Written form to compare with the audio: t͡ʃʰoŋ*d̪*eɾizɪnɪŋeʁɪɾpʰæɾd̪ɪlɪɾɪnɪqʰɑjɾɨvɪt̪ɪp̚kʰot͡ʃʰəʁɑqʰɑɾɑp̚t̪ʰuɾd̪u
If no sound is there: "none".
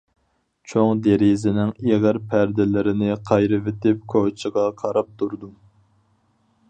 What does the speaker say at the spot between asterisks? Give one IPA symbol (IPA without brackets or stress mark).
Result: d̪